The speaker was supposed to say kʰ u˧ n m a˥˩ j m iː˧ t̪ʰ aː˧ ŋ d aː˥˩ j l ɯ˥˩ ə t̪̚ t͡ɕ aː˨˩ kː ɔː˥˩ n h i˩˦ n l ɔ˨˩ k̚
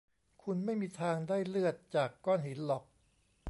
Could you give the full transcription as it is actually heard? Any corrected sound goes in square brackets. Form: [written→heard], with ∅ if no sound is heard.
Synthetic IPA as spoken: kʰ u˧ n m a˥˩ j m iː˧ t̪ʰ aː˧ ŋ d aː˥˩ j l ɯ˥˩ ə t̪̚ t͡ɕ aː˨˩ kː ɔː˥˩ n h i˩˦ n l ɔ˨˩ k̚